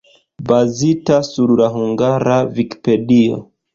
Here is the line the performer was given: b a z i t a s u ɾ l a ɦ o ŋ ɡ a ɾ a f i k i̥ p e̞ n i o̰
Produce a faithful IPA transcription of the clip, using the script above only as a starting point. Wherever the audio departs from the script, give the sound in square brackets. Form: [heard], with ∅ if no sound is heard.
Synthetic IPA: b a z i t a s u ɾ l a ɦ [u] ŋ ɡ a ɾ a [v] i k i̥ p e̞ [d] i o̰